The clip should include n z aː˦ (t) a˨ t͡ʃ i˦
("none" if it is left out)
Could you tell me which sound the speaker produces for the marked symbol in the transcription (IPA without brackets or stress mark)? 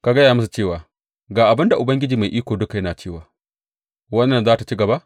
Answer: t